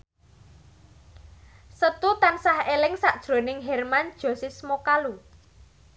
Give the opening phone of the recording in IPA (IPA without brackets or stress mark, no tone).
s